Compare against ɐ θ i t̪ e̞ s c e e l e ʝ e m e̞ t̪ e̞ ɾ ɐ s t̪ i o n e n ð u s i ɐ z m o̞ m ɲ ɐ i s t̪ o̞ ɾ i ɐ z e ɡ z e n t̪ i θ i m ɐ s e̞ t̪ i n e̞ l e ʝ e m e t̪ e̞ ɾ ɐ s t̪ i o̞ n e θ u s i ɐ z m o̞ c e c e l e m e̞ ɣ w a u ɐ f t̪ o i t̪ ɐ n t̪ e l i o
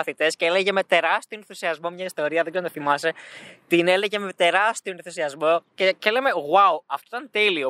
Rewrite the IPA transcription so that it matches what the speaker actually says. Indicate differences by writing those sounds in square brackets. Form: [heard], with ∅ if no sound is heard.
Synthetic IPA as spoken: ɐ θ i t̪ e̞ s c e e l e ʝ e m e̞ t̪ e̞ ɾ ɐ s t̪ i o n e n [θ] u s i ɐ z m o̞ m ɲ ɐ i s t̪ o̞ ɾ i ɐ [ð] e ɡ z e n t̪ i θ i m ɐ s e̞ t̪ i n e̞ l e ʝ e m e t̪ e̞ ɾ ɐ s t̪ i o̞ n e θ u s i ɐ z m o̞ c e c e l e m e̞ ɣ w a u ɐ f t̪ o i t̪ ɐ n t̪ e l i o